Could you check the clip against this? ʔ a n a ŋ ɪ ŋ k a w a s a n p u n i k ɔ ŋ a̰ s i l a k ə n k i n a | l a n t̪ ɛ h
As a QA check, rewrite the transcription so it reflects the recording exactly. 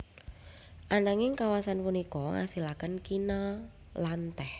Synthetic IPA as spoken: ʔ a n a ŋ ɪ ŋ k a w a s a n p u n i k ɔ ŋ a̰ s i l a k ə n k i n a | l a n t̪ ɛ h